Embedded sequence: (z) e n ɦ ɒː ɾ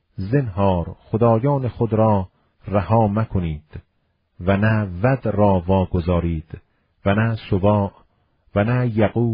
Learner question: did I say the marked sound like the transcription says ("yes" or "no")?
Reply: yes